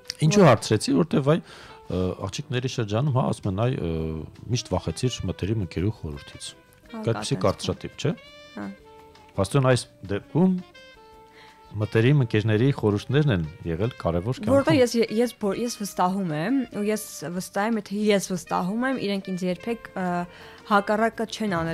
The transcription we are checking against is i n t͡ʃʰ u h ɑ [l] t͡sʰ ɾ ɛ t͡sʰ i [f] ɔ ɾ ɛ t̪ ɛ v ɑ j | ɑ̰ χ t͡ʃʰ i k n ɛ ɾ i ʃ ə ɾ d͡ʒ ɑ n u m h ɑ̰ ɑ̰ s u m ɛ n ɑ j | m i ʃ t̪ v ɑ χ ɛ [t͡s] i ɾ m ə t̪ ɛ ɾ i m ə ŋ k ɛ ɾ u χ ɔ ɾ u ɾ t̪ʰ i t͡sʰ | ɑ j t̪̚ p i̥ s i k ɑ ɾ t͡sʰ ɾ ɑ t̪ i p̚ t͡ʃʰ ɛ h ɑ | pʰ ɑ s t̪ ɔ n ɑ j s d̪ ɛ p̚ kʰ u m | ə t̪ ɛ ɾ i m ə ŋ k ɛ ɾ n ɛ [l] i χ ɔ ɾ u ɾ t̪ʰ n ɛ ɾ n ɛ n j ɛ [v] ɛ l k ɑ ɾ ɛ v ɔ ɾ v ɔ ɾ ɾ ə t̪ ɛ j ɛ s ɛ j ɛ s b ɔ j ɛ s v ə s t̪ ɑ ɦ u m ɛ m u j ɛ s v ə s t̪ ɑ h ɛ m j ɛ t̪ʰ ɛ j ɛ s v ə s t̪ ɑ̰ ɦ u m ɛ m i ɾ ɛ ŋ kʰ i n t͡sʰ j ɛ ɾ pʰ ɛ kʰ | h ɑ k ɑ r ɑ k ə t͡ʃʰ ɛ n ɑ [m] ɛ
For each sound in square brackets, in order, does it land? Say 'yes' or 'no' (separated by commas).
no, no, no, no, no, no